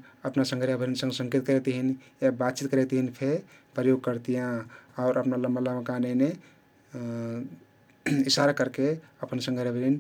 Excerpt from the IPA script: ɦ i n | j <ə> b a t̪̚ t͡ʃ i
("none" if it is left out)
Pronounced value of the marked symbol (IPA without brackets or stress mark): a